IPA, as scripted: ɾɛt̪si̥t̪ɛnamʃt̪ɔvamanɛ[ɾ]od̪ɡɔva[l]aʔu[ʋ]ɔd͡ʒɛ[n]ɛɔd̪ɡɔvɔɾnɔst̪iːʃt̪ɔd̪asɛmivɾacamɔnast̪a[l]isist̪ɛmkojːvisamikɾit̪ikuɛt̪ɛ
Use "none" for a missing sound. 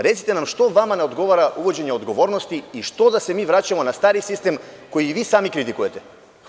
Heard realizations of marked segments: none, ɾ, v, ɲ, ɾ

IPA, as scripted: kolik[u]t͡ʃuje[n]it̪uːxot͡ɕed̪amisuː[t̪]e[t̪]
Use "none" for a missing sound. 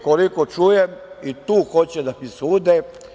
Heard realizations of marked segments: o, m, d̪, none

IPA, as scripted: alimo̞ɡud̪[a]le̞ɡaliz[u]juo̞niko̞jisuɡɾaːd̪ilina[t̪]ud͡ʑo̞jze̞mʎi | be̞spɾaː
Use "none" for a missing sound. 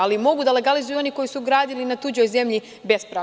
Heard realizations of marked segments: a, u, t̪

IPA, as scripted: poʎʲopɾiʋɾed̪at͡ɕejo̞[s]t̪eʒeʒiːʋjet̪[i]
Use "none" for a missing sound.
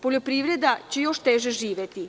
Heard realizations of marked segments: ʃ, i

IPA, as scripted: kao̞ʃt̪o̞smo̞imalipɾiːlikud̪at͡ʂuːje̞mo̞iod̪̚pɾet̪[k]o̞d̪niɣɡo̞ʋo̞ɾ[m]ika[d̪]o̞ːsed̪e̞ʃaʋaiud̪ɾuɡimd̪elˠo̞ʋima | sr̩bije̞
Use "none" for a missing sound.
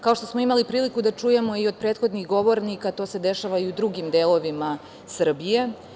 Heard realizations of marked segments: x, n, t̪

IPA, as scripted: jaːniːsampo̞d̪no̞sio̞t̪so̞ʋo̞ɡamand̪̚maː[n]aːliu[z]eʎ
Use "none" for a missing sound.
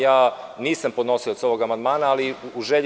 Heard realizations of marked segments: n, ʒ

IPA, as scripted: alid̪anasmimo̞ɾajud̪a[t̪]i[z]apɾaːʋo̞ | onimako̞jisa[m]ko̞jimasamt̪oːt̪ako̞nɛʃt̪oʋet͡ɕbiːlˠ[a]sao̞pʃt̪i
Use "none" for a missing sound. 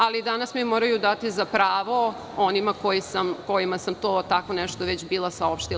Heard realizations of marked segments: t̪, z, m, a

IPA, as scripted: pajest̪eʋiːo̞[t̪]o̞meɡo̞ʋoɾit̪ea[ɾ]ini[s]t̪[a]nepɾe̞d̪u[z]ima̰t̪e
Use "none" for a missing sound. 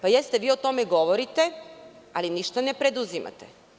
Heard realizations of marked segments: t̪, l, ʃ, a, z

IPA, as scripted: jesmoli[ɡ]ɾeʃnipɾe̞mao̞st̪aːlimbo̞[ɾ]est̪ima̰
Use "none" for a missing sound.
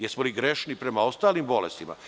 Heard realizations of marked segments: ɡ, l

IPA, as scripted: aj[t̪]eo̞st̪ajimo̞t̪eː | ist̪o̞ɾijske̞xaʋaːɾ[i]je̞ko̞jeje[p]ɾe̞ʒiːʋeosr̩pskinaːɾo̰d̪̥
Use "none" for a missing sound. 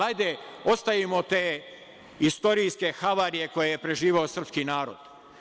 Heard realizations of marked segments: d̪, i, p

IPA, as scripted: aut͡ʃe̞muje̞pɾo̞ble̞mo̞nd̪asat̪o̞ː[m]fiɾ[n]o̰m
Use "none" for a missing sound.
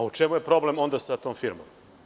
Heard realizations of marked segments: m, m

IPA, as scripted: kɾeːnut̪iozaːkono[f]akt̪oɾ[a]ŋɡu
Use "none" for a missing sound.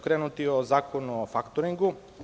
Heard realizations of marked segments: f, i

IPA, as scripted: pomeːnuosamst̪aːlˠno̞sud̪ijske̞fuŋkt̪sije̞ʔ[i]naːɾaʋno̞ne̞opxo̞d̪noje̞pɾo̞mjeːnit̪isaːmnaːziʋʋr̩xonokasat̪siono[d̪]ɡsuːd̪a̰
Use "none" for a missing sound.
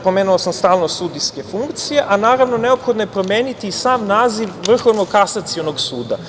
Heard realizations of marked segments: a, none

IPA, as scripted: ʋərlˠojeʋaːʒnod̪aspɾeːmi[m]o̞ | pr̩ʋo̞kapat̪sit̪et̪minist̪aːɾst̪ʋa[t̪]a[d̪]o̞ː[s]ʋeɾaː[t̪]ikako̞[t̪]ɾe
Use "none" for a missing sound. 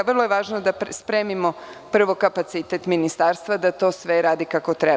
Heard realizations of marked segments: m, d̪, t̪, s, d̪, t̪

